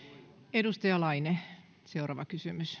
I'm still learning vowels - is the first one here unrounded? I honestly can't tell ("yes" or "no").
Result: yes